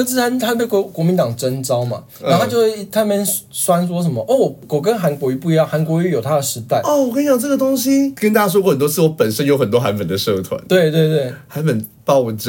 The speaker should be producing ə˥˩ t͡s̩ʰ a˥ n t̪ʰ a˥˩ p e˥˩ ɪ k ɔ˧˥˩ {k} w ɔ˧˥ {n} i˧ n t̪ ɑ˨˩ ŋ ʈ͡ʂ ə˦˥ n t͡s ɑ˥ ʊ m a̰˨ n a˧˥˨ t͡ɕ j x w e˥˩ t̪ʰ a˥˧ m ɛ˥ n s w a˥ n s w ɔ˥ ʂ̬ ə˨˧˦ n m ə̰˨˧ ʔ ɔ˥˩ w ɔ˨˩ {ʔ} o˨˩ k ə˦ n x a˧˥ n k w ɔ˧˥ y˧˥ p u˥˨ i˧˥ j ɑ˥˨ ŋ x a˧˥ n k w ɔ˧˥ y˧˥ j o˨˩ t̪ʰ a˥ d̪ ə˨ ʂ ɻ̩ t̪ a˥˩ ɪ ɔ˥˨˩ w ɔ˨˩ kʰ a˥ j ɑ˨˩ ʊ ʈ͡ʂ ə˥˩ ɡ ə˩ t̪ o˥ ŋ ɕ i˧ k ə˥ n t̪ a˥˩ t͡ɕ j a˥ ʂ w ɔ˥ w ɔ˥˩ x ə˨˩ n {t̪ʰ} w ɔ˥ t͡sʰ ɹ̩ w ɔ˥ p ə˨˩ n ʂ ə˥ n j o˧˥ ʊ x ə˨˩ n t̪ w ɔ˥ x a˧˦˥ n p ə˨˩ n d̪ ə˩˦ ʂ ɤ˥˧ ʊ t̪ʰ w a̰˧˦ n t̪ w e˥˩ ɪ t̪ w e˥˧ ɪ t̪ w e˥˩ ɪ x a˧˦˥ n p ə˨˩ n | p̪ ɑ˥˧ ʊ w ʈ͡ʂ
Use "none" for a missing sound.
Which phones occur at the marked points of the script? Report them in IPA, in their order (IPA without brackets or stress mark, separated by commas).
k, m, k, t̪